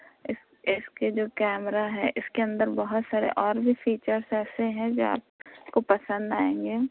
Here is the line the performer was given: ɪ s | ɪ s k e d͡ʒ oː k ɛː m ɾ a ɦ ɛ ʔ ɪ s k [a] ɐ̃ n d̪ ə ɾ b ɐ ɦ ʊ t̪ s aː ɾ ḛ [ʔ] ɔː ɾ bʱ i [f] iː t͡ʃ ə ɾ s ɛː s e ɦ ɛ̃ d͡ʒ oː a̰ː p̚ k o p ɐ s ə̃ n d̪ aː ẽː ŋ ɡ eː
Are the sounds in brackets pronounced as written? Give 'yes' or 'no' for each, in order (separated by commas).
no, yes, yes